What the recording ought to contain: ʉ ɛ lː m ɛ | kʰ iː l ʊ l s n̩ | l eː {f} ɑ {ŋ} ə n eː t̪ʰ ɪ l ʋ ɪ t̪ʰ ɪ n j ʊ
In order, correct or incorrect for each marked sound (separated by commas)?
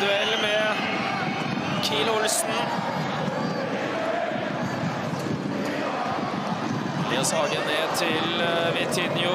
incorrect, incorrect